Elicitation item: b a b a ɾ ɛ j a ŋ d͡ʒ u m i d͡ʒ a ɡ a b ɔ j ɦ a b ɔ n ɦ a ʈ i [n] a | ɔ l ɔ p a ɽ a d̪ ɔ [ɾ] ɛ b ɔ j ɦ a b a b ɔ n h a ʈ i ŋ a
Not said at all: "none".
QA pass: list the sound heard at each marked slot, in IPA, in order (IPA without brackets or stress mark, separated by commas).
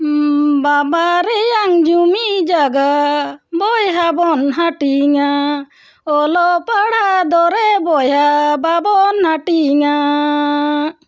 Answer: ŋ, ɾ